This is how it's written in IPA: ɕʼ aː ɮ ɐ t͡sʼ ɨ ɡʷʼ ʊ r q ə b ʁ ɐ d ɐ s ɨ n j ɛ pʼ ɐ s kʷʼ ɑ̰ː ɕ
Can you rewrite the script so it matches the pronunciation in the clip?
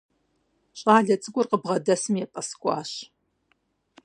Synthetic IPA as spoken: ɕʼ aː ɮ ɐ t͡sʼ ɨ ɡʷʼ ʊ r q ə b ʁ ɐ d ɐ s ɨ m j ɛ pʼ ɐ s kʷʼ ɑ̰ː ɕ